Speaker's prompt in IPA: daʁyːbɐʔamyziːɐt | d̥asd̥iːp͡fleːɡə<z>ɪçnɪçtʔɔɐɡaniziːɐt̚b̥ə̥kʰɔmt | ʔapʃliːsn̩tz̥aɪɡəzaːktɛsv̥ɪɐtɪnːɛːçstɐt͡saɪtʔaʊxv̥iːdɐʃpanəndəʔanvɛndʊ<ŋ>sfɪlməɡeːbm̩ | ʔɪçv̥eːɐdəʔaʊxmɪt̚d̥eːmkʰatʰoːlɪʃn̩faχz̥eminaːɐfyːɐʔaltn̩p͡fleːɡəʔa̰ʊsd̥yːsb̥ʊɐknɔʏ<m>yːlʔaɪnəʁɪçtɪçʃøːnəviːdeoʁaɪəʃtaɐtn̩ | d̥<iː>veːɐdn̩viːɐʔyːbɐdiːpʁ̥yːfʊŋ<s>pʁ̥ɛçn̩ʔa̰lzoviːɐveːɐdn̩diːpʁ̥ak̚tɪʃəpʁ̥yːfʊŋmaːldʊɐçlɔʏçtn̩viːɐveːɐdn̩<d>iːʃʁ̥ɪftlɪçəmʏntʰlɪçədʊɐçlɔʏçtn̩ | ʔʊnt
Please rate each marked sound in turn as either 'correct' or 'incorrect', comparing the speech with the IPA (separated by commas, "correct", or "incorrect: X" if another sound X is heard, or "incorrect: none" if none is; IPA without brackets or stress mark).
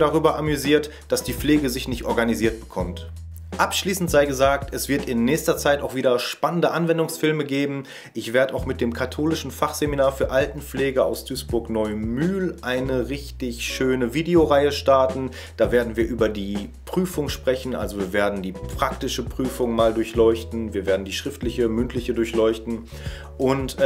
correct, correct, correct, incorrect: aː, incorrect: ʃ, correct